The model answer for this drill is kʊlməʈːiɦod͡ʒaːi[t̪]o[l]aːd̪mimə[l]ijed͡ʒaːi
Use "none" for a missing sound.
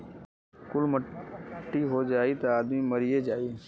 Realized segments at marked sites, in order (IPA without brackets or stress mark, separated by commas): t̪, none, ɾ